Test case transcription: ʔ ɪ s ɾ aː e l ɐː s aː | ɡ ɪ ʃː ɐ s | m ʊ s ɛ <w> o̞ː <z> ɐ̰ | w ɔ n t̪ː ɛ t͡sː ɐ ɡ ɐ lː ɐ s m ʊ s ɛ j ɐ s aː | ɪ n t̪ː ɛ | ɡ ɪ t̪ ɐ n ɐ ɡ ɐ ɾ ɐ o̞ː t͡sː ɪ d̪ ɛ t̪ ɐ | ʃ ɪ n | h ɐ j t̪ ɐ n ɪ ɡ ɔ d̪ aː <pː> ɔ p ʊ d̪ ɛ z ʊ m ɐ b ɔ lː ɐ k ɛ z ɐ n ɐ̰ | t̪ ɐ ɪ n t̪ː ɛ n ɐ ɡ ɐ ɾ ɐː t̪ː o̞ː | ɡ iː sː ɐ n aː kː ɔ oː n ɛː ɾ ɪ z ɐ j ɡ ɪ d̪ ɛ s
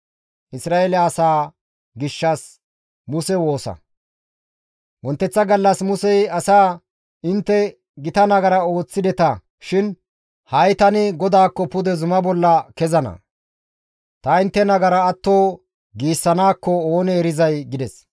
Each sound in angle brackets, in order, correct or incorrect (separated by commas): correct, incorrect, incorrect